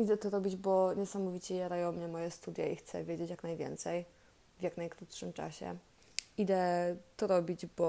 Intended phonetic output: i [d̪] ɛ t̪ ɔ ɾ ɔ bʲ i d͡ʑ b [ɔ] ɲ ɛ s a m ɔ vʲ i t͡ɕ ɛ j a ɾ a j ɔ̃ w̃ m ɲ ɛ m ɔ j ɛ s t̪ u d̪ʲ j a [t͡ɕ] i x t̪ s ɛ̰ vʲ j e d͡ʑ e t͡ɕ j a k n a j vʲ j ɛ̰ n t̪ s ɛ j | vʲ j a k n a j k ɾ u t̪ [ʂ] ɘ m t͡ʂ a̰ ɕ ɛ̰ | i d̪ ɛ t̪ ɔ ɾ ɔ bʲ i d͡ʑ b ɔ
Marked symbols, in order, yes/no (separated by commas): yes, yes, no, yes